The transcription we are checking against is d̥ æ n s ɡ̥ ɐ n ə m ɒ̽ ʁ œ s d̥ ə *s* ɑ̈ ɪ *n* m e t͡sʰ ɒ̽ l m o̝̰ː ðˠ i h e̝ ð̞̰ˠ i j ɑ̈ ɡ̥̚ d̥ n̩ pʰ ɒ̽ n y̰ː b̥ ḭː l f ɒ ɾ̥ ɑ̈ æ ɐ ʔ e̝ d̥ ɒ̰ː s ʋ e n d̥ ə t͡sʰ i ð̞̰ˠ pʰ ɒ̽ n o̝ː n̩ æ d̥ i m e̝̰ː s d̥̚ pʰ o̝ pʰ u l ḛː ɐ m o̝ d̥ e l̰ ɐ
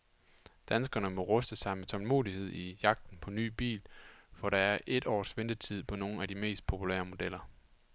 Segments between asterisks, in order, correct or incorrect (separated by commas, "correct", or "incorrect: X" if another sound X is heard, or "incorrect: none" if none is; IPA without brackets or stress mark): correct, incorrect: none